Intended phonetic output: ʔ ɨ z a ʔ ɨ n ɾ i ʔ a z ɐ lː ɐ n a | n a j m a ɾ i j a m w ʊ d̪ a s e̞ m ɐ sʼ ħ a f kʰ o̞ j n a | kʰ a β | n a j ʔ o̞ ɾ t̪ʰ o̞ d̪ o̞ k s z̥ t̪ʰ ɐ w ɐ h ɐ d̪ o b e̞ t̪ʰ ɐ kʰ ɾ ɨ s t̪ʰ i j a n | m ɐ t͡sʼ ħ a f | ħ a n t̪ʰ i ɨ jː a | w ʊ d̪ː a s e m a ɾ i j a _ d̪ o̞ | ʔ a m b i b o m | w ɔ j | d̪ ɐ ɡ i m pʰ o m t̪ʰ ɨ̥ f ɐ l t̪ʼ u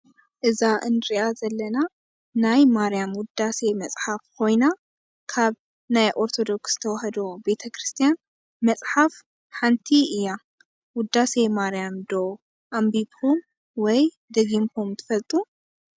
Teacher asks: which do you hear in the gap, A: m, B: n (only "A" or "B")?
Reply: A